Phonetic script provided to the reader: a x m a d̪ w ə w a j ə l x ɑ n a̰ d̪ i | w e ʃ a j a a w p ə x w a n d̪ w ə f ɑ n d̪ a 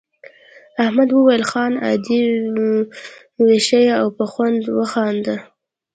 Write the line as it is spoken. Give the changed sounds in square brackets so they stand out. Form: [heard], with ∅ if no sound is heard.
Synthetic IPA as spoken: a [h] m a d̪ w ə w a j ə l x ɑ n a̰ d̪ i | w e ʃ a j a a w p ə x w a n d̪ w ə [x] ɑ n d̪ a